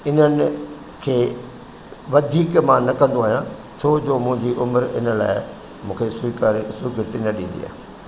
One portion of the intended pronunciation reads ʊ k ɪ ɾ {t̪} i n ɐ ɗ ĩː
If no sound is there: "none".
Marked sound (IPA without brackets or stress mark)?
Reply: t̪